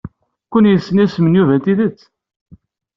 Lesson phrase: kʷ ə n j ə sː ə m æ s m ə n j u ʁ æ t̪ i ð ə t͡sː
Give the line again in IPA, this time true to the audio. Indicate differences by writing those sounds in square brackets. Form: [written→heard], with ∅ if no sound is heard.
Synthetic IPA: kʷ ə n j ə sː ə [m→n] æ s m ə n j u [ʁ→v] æ t̪ i ð ə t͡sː